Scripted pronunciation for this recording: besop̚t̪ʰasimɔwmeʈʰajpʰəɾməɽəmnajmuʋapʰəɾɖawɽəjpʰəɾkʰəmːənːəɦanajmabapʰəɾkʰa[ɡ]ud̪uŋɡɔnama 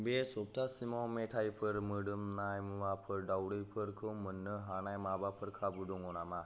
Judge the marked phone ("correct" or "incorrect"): incorrect